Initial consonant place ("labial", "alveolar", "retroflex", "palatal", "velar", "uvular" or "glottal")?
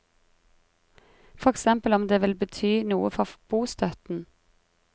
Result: labial